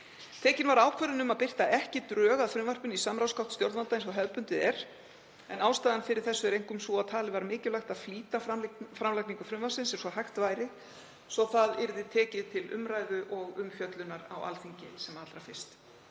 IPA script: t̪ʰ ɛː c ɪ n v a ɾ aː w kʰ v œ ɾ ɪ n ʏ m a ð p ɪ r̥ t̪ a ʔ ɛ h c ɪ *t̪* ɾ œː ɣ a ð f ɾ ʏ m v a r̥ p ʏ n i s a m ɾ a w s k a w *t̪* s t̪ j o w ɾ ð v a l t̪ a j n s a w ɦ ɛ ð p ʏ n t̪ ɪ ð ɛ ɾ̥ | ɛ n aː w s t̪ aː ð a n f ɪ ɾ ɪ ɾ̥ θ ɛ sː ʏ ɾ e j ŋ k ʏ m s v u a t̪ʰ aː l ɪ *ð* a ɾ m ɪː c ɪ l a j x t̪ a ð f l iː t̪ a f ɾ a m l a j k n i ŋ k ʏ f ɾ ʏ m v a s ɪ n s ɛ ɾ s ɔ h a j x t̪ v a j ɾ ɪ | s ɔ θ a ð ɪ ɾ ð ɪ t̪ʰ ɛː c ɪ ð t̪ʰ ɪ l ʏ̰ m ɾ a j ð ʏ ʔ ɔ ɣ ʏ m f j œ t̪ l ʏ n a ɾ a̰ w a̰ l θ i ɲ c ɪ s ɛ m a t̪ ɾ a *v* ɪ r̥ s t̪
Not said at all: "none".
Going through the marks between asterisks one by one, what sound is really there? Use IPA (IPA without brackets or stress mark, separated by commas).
t̪, t̪, v, f